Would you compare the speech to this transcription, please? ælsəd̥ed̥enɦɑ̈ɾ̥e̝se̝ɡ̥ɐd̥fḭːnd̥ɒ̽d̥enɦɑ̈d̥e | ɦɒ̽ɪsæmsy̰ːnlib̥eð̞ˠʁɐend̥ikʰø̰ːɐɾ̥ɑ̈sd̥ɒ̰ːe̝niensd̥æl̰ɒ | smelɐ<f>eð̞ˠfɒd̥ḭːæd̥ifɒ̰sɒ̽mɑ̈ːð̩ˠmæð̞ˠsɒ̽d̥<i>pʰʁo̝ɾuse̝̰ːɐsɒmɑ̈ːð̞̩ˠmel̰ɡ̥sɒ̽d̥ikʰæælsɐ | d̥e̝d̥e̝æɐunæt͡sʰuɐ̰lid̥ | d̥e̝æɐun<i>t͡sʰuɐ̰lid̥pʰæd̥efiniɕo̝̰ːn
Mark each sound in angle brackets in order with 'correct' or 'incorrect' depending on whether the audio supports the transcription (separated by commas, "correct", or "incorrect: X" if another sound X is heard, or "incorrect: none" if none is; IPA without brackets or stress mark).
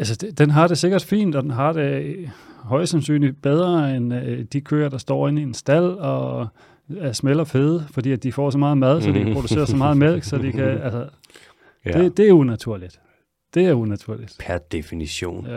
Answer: correct, correct, incorrect: æ